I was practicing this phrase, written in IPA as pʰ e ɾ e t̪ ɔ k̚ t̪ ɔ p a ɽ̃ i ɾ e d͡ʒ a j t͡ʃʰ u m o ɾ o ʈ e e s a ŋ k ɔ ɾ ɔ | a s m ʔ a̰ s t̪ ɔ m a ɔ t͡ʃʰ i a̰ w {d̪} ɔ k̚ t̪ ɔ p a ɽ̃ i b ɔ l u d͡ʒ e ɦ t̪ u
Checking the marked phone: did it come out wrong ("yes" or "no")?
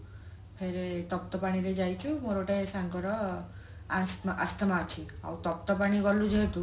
yes